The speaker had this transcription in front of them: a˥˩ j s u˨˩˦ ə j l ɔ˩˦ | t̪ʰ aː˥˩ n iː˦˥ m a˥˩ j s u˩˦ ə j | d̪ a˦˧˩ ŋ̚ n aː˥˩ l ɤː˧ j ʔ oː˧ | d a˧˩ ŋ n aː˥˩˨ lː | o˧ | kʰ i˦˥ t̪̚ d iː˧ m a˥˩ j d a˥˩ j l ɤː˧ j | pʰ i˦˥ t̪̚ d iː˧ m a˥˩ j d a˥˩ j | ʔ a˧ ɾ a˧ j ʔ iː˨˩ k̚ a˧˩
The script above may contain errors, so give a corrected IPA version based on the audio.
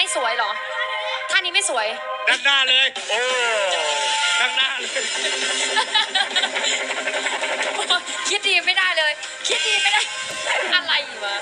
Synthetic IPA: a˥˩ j s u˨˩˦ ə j l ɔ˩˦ | t̪ʰ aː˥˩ n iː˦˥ m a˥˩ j s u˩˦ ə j | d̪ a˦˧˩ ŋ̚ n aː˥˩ l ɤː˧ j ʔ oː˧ | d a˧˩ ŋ n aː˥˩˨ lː | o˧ | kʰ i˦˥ t̪̚ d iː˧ m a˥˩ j d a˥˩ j l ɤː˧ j | kʰ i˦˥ t̪̚ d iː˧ m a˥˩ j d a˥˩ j | ʔ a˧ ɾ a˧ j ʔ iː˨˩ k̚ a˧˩